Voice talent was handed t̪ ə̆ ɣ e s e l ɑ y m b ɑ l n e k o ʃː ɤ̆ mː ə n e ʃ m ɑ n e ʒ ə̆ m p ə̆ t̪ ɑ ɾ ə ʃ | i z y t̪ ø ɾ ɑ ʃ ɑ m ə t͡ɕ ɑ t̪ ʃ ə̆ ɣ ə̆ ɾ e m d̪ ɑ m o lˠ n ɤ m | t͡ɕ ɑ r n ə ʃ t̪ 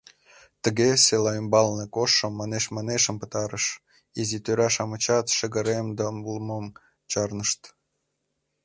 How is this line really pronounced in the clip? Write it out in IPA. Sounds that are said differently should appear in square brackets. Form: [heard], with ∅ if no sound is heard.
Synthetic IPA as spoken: t̪ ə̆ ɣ e s e l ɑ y m b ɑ l n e k o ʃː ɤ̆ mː [ɑ] n e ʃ m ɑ n e [ʃ] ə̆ m p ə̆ t̪ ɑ ɾ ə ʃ | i z [i] t̪ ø ɾ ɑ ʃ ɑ m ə t͡ɕ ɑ t̪ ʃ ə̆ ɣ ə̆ ɾ e m d̪ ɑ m [u] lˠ [m] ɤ m | t͡ɕ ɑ r n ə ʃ t̪